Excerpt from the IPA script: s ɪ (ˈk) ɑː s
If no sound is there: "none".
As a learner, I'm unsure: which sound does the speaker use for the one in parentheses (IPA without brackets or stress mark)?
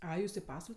p